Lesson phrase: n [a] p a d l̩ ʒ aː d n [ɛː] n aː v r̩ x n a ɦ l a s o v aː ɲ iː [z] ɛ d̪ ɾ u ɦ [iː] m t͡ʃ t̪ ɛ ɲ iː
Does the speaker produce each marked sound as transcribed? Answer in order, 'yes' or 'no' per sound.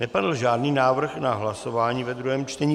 no, no, no, no

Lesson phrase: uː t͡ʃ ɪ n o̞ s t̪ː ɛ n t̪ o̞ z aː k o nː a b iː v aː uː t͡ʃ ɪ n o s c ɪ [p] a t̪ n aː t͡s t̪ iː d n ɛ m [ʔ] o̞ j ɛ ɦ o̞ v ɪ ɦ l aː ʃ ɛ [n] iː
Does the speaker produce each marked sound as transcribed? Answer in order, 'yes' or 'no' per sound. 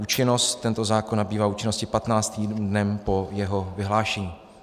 yes, no, no

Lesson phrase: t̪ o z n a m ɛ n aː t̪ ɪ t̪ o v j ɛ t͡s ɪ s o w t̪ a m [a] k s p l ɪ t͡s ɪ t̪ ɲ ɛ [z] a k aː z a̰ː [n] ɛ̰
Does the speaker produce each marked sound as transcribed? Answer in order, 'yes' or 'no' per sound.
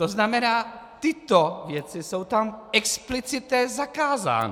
no, yes, yes

